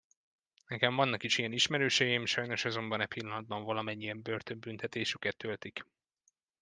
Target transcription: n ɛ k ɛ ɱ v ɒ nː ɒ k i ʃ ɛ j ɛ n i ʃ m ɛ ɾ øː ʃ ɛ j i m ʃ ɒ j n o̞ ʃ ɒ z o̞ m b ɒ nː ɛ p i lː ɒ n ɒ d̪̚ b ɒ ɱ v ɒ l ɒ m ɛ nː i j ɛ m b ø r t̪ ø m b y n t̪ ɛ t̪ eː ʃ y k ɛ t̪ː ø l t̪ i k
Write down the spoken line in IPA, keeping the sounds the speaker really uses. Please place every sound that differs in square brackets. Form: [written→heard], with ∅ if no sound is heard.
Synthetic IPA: n ɛ k ɛ ɱ v ɒ nː ɒ k i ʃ [ɛ→i] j ɛ n i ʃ m ɛ ɾ øː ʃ ɛ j i m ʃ ɒ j n o̞ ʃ ɒ z o̞ m b ɒ [nː→n] ɛ p i lː ɒ n ɒ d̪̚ b ɒ ɱ v ɒ l ɒ m ɛ [nː→ɲː] i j ɛ m b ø r t̪ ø m b y n t̪ ɛ t̪ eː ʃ y k ɛ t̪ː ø l t̪ i k